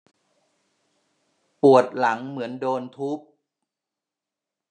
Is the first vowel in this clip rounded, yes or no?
yes